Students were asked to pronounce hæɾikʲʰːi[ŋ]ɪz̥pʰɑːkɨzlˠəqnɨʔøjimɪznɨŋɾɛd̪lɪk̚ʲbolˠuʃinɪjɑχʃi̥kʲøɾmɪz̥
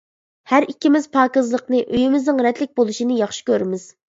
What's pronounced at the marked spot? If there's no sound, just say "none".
m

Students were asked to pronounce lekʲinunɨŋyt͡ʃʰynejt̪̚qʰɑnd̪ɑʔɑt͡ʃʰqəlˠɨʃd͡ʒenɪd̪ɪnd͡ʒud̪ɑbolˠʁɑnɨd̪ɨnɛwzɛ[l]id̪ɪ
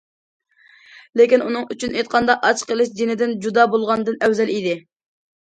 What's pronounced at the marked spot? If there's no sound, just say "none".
l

